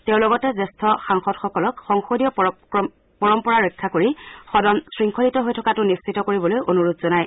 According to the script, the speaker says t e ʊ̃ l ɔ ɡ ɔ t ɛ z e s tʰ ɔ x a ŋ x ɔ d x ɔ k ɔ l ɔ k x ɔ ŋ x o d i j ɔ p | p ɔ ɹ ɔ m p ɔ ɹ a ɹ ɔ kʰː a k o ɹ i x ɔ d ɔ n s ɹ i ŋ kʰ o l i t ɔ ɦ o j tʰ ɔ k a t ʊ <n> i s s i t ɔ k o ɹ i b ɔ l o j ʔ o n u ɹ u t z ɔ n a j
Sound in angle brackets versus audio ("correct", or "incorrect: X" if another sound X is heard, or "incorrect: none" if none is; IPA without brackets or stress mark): correct